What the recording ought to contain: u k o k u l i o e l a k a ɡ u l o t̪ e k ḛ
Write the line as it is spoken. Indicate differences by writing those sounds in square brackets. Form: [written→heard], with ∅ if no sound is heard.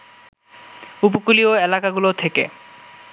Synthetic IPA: u [k→p] o k u l i o e l a k a ɡ u l o [t̪→t̪ʰ] e k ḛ